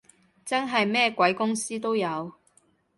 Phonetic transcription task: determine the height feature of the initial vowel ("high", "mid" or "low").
low